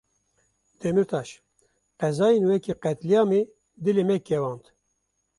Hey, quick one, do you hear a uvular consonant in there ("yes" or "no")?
yes